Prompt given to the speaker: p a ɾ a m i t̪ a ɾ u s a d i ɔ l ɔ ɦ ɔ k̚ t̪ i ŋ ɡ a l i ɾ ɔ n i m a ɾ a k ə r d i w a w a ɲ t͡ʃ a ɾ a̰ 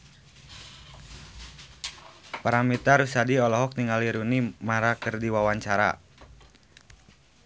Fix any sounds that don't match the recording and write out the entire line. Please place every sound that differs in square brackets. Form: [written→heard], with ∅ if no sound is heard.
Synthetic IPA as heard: p a ɾ a m i t̪ a ɾ u s a d i ɔ l ɔ ɦ ɔ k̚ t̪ i ŋ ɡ a l i ɾ [ɔ→u] n i m a ɾ a k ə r d i w a w a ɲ t͡ʃ a ɾ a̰